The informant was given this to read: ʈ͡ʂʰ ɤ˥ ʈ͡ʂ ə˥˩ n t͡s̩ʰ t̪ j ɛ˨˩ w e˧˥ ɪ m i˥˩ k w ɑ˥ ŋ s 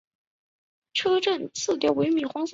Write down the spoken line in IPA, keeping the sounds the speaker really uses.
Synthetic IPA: ʈ͡ʂʰ ɤ˥ ʈ͡ʂ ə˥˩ n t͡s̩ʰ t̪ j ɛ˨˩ w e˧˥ ɪ m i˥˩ x w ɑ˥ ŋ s